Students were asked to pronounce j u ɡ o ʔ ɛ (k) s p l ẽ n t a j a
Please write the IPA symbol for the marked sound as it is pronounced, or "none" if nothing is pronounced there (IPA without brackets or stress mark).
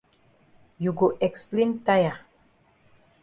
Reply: k